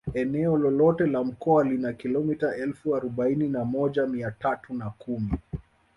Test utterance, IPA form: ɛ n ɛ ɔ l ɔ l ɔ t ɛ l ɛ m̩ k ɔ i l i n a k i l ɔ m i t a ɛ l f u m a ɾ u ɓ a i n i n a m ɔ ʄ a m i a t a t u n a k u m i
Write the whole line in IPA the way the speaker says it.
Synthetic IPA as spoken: ɛ n ɛ ɔ l ɔ l ɔ t ɛ l a m̩ k ɔ a l i n a k i l ɔ m i t a ɛ l f u a ɾ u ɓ a i n i n a m ɔ ʄ a m i a t a t u n a k u m i